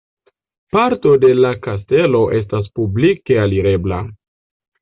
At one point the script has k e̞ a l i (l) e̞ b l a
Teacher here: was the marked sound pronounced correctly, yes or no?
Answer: no